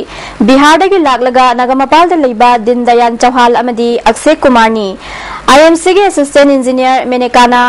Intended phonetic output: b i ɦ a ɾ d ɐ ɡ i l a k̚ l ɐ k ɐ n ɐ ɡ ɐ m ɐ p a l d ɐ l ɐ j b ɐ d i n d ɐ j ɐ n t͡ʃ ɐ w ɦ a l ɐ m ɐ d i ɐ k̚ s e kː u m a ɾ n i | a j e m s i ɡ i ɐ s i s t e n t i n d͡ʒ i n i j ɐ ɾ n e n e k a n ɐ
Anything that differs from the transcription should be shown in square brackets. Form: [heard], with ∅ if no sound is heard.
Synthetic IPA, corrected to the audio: b i ɦ a ɾ d ɐ ɡ i l a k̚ l ɐ [ɡ] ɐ n ɐ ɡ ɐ m ɐ p a l d ɐ l ɐ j b ɐ d i n d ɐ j [a] n t͡ʃ ɐ w ɦ a l ɐ m ɐ d i ɐ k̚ s e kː u m a ɾ n i | a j e m s i ɡ i ɐ s i s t e n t i n d͡ʒ i n i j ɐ ɾ [m] e n e k a n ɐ